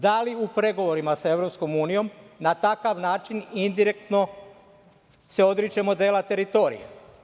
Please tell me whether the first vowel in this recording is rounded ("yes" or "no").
no